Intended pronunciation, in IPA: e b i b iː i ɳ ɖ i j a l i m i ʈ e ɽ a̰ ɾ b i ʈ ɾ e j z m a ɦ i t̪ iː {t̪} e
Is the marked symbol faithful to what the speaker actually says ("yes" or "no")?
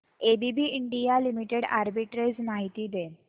no